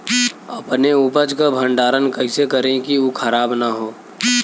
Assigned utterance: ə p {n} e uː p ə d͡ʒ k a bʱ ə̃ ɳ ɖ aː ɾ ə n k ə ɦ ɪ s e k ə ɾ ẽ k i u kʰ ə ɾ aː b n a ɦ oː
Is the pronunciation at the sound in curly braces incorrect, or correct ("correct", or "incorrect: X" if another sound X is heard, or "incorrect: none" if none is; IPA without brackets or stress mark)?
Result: correct